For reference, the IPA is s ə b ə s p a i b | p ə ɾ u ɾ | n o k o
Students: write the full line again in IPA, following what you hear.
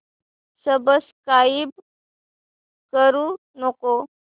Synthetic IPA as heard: s ə b ə s k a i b | k ə ɾ u | n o k o